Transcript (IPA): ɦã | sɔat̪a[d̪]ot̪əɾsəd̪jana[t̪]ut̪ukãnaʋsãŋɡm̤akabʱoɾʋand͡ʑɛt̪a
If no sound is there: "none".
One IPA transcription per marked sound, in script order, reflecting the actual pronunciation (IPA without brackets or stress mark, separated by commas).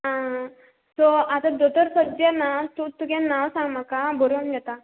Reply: d̪, t̪